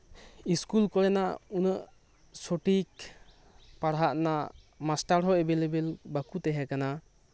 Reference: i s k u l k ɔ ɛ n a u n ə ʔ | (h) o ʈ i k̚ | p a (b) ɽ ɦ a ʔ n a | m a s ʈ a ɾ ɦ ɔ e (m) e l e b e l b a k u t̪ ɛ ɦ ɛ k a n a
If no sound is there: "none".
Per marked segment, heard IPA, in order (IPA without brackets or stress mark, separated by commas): s, none, b